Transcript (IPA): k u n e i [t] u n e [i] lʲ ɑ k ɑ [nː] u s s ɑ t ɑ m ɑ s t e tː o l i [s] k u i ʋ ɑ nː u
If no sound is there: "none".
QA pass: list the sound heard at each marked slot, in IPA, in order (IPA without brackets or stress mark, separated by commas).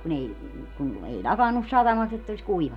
k, i, nː, s